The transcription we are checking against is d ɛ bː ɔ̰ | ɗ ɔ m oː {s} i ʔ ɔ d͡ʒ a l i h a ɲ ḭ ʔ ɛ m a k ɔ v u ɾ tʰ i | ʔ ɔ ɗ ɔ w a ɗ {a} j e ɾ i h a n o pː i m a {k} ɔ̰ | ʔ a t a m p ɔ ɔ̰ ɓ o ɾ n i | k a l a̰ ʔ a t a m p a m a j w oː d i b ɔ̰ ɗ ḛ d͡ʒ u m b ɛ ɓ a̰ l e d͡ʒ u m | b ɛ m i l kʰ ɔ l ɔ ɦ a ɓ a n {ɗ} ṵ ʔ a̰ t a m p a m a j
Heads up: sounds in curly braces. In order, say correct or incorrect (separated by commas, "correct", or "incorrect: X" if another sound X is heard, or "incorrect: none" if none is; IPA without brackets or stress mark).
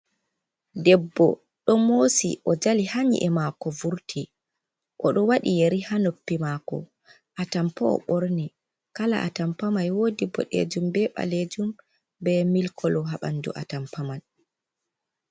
correct, incorrect: i, correct, incorrect: d